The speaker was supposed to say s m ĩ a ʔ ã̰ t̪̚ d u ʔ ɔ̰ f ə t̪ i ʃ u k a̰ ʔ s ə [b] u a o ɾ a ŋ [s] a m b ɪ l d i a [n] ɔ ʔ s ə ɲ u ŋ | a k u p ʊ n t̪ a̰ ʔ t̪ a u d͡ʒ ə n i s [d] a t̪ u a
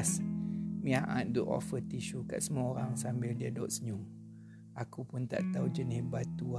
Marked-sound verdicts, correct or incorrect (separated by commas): incorrect, correct, incorrect, incorrect